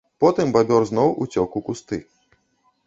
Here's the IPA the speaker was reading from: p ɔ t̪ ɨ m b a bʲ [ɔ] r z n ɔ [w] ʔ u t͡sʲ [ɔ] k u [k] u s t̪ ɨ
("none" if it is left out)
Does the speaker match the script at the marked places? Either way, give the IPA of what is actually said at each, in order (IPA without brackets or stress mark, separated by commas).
ɔ, w, ɔ, k